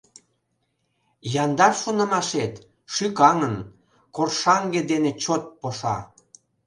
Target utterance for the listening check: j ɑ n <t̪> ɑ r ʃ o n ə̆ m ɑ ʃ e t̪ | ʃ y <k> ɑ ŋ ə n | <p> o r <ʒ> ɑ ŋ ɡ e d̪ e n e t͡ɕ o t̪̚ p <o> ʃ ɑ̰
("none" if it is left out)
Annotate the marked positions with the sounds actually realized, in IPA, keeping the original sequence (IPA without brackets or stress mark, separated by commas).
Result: d̪, k, k, ʃ, o